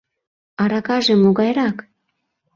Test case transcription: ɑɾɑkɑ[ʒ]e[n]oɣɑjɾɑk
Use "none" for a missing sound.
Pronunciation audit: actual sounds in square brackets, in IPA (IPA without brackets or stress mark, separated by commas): ʒ, m